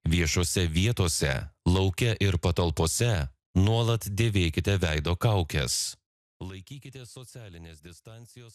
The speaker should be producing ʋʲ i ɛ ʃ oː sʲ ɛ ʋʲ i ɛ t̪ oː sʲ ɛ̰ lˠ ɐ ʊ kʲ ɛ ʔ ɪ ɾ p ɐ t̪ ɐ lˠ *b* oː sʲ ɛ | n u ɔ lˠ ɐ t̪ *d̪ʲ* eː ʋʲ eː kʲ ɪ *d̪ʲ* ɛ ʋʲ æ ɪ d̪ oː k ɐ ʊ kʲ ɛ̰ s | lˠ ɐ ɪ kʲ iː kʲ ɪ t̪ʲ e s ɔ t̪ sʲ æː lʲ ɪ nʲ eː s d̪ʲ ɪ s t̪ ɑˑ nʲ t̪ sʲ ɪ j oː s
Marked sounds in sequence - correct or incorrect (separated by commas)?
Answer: incorrect, correct, incorrect